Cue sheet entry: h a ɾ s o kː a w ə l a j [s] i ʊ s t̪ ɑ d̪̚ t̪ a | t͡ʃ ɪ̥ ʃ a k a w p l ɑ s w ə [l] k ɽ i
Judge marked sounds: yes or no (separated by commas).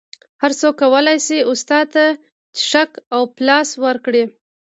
yes, no